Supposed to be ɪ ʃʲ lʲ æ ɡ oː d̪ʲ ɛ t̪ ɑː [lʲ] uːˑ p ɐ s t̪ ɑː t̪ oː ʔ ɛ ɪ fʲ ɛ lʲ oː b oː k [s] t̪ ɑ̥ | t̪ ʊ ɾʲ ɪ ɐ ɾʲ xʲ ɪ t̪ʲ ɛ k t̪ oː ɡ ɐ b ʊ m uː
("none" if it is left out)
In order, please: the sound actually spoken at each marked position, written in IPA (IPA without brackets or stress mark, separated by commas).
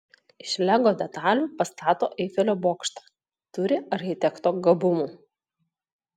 lʲ, ʃ